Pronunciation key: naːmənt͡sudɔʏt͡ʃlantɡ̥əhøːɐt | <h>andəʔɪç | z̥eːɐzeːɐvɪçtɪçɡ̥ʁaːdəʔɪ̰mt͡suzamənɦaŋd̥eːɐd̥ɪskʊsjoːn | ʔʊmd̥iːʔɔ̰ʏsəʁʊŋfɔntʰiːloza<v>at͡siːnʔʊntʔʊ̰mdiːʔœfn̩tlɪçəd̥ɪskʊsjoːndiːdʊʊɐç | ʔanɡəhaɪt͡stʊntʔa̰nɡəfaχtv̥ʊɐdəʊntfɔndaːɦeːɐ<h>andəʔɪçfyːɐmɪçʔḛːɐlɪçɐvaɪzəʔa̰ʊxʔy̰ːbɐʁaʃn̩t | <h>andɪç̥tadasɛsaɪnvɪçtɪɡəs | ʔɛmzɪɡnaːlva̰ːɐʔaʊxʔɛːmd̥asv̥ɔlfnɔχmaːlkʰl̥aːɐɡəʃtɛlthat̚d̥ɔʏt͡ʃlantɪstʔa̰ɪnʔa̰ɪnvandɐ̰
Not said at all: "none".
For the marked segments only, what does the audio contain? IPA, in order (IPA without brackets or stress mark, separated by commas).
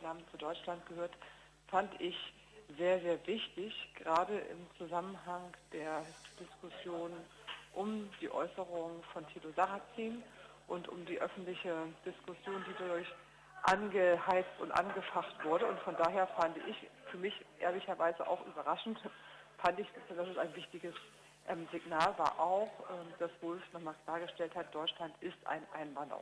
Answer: f, ʁ, f, f